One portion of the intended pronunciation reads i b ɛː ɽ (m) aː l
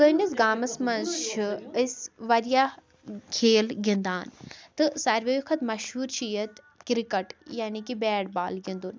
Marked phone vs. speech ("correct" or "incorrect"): incorrect